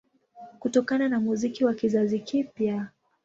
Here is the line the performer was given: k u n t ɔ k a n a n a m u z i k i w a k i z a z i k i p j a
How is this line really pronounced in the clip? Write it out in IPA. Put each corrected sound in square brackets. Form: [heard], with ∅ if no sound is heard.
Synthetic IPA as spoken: k u [∅] t ɔ k a n a n a m u z i k i w a k i z a z i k i p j a